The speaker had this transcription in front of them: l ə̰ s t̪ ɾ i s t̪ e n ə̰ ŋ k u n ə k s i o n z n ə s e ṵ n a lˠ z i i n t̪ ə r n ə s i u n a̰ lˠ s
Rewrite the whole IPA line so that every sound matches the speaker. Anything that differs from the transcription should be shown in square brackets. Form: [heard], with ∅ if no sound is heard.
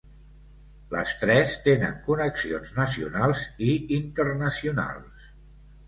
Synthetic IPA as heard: l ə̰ s t̪ ɾ [ɛ] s t̪ e n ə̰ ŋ k u n ə k s i o n z n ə s [i] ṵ n a lˠ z i i n t̪ ə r n ə s i u n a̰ lˠ s